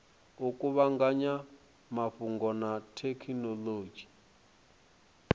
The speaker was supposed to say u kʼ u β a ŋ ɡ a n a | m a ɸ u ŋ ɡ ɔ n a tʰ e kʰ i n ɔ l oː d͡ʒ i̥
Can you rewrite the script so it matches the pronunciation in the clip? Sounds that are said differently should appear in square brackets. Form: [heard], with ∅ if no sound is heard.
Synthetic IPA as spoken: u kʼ u β a ŋ ɡ a [ɲ] a | m a ɸ u ŋ ɡ ɔ n a tʰ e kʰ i n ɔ l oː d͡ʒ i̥